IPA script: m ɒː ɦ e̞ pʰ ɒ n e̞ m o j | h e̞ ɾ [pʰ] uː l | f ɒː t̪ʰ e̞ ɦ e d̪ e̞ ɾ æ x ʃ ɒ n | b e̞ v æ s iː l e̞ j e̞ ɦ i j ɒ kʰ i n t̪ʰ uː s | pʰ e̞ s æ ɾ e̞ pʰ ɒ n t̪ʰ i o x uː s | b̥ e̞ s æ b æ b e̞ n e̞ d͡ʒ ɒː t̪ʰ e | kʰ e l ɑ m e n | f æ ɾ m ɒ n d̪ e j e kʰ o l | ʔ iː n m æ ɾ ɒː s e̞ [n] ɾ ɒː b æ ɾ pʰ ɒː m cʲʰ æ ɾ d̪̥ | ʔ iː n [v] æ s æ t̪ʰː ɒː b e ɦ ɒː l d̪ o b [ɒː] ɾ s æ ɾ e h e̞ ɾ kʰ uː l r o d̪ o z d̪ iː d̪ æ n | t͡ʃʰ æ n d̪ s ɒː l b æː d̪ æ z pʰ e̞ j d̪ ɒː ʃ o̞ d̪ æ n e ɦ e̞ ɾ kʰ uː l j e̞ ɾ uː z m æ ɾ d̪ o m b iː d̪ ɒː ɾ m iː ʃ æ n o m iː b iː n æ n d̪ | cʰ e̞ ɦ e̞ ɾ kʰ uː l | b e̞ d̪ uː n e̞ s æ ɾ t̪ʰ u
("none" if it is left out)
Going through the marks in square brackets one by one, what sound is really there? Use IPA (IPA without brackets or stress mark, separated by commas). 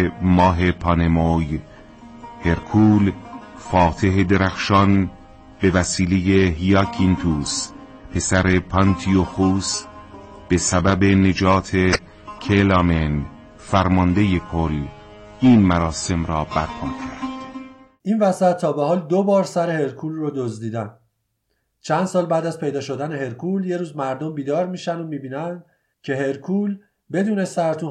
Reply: kʰ, m, v, ɒː